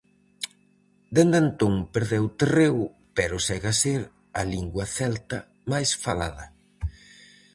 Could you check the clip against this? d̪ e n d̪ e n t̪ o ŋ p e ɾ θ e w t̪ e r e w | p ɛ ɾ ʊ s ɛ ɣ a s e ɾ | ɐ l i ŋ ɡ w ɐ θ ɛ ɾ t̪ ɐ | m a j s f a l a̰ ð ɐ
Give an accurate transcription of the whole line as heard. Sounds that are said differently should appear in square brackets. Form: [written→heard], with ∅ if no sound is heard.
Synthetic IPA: d̪ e n d̪ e n t̪ o ŋ p e ɾ [θ→ð] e w t̪ e r e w | p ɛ ɾ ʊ s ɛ ɣ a s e ɾ | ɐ l i ŋ ɡ w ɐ θ ɛ [ɾ→l] t̪ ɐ | m a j s f a l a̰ ð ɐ